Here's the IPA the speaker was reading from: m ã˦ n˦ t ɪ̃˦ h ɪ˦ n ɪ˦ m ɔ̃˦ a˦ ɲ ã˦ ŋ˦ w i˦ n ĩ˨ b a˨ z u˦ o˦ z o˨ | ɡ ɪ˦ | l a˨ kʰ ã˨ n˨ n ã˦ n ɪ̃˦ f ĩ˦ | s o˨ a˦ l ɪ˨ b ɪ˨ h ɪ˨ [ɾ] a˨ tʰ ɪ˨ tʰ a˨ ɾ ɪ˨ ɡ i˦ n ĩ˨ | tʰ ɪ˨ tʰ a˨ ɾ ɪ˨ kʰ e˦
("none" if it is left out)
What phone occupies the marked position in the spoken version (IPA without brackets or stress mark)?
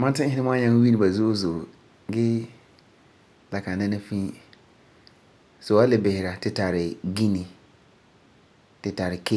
ɾ